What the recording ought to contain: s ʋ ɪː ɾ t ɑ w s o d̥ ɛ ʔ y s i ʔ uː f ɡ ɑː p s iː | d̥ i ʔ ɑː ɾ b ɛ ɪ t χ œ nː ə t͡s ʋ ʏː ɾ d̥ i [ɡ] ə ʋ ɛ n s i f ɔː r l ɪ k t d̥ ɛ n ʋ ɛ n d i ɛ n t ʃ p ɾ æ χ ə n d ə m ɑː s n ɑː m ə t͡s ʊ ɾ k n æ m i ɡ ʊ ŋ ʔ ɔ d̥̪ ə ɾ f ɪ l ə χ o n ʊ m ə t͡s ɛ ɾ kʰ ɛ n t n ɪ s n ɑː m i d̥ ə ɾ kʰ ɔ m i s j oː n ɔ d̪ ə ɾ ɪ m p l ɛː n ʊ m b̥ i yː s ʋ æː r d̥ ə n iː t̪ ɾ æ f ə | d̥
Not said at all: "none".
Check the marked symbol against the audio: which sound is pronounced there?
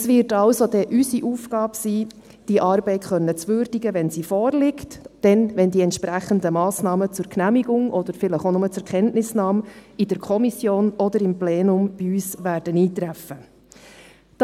ɡ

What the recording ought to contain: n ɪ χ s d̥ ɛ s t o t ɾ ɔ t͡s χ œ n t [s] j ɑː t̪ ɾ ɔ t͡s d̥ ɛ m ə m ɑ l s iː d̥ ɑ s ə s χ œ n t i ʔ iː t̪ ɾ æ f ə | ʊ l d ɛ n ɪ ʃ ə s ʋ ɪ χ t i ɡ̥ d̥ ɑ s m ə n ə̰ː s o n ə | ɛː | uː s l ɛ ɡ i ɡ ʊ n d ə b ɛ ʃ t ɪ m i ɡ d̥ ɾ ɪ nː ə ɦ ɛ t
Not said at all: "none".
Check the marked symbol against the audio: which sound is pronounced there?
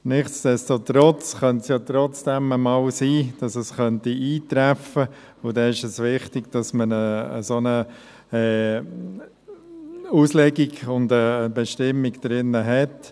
s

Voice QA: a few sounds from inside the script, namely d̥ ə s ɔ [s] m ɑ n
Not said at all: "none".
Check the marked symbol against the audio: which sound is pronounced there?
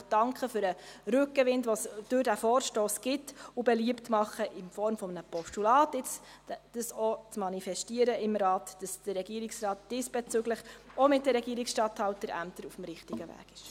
t͡s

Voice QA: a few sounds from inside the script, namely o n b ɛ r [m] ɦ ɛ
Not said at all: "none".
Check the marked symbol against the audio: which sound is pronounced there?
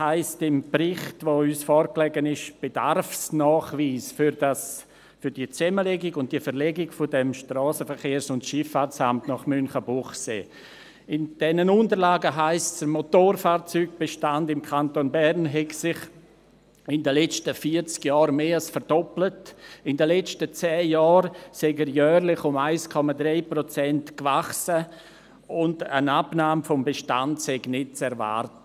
n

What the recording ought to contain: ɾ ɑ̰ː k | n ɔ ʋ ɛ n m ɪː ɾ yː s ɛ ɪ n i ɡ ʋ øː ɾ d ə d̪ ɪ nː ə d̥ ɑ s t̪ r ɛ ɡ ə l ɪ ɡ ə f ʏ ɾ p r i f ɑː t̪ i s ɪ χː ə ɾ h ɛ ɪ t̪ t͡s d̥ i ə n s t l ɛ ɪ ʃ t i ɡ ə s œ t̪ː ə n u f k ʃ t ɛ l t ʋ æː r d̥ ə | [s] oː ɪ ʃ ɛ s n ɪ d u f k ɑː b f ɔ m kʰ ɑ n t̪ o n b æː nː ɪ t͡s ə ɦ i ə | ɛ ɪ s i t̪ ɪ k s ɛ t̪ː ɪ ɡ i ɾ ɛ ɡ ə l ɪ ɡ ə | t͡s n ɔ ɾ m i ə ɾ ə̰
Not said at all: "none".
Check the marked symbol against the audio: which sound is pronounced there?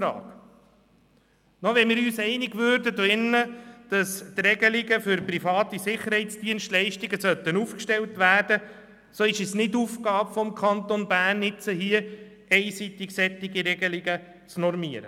s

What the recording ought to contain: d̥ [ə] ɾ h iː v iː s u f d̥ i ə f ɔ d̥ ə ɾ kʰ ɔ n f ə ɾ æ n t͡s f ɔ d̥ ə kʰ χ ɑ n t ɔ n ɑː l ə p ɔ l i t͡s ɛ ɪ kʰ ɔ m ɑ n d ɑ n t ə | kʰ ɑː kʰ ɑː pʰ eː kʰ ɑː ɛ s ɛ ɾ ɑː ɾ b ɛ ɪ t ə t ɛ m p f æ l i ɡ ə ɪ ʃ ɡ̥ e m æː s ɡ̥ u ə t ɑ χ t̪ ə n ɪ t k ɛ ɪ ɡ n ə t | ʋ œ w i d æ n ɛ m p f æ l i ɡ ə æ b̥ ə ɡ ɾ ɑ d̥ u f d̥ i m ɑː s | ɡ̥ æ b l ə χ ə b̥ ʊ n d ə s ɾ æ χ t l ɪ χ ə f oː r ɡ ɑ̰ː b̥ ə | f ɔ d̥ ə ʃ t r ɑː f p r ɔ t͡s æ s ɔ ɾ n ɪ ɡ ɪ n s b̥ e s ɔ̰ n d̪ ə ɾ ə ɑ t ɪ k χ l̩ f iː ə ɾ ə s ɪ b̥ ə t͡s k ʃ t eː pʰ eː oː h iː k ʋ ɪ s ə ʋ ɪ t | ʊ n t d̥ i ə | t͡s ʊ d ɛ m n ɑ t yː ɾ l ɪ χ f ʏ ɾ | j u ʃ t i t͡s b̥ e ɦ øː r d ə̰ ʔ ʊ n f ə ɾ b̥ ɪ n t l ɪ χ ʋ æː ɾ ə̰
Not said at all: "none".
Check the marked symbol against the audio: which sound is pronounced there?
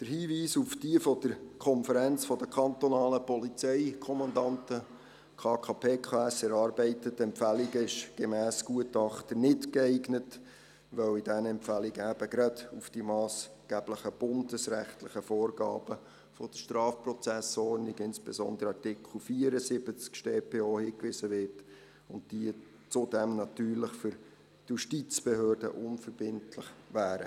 ə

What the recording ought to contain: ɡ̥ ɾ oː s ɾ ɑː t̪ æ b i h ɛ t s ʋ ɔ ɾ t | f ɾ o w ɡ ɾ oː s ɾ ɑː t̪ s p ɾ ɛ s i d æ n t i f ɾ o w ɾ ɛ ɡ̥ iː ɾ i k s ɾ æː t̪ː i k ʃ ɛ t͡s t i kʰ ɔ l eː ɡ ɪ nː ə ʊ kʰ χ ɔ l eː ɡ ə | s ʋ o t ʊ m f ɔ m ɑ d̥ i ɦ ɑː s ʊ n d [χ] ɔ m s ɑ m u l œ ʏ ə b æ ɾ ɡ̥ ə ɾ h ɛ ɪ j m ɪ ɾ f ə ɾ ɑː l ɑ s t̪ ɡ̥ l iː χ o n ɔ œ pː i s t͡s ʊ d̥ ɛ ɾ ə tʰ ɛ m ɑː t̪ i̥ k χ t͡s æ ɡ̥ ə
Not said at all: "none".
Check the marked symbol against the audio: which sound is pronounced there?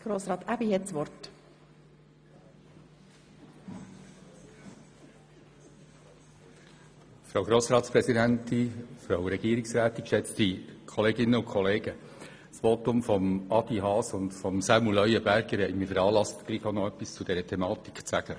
f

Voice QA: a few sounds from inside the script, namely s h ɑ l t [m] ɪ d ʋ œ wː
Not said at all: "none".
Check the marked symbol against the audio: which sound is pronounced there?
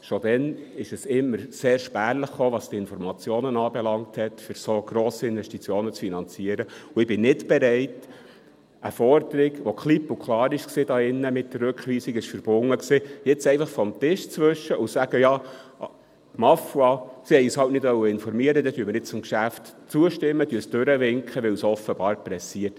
n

